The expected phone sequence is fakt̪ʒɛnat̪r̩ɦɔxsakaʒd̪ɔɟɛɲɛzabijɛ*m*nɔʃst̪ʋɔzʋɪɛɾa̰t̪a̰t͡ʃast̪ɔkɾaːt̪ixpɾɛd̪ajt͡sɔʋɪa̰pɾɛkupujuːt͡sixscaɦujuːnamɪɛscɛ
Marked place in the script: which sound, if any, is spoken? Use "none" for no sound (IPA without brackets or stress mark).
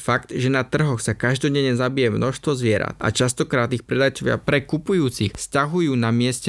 m